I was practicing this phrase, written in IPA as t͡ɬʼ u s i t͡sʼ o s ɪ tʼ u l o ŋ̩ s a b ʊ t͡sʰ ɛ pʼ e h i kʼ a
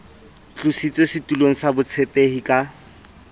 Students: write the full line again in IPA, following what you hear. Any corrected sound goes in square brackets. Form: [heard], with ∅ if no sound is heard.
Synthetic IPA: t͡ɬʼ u s i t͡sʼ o s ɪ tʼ u l o ŋ̩ s a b ʊ t͡sʰ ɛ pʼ e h i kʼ a